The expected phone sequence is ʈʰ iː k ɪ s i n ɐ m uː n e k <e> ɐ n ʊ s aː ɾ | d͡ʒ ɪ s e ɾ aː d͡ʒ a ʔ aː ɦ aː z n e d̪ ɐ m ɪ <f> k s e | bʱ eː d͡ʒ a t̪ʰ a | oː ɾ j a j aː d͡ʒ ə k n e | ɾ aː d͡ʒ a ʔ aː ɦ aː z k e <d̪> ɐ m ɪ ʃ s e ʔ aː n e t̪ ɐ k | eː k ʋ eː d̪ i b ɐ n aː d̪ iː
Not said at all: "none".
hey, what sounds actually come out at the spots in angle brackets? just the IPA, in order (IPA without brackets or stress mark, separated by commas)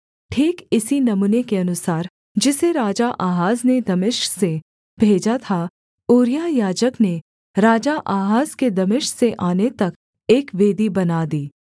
e, ʃ, d̪